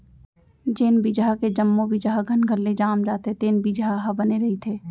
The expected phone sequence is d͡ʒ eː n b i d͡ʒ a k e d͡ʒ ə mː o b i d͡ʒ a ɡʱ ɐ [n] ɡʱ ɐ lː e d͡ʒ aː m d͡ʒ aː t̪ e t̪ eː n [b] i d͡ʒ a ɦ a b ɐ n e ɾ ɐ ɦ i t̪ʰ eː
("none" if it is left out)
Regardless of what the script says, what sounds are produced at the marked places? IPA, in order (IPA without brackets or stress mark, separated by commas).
n, b